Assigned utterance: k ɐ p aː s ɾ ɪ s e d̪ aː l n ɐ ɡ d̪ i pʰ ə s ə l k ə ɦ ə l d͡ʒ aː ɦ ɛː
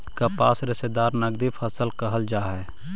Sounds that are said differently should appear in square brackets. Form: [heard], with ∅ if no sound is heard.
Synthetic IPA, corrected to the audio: k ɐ p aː s ɾ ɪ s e d̪ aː [ɾ] n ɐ ɡ d̪ i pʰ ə s ə l k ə ɦ ə l d͡ʒ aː ɦ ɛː